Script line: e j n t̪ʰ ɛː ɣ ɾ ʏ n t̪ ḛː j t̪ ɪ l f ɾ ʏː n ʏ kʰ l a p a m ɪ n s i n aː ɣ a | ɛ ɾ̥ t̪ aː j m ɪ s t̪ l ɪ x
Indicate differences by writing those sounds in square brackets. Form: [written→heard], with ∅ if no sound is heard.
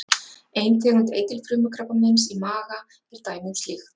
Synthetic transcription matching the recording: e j n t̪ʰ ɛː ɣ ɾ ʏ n t̪ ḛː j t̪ ɪ l f ɾ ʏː [n→m] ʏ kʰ [l→ɾ] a p a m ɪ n s i [n→m] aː ɣ a | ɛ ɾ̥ t̪ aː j m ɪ s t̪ l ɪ x